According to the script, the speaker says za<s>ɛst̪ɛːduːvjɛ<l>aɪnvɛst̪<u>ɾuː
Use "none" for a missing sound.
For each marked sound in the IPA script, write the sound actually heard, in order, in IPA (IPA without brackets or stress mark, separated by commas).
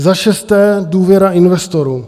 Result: ʃ, ɾ, o